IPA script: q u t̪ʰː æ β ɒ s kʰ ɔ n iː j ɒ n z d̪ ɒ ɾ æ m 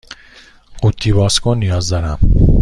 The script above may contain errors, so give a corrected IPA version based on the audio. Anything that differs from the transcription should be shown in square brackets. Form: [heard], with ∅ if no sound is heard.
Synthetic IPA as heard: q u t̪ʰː [i] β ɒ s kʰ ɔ n [i] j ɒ [∅] z d̪ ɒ ɾ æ m